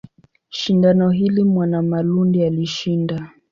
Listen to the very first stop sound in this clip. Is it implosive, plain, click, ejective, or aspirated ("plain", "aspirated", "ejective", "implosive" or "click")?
plain